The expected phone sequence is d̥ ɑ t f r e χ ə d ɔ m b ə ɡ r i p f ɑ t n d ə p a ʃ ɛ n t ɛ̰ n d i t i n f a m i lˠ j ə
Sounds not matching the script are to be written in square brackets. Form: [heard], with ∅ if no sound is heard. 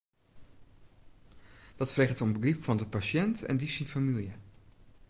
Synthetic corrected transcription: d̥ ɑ t f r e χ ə [t] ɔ m b ə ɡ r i p f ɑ [∅] n d ə p a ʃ ɛ n t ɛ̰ n d i [s] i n f a m i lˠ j ə